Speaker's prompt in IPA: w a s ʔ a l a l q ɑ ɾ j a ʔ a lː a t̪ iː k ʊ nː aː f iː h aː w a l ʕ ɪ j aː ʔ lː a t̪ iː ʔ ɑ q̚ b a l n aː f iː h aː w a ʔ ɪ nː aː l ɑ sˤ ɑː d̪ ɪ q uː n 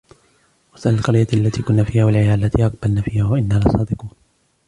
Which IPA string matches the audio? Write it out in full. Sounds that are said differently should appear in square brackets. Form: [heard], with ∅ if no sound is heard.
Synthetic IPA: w a s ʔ a l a l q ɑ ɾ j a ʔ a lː a t̪ iː k ʊ nː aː f iː h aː w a l ʕ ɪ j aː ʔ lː a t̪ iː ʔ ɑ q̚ b a l n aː f iː h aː w a ʔ ɪ nː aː l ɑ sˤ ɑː d̪ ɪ q uː n